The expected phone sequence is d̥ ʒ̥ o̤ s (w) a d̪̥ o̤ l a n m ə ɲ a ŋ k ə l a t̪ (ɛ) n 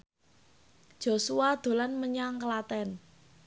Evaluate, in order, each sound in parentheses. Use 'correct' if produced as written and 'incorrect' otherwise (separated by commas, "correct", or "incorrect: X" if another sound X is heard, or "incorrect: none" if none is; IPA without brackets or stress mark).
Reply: incorrect: u, correct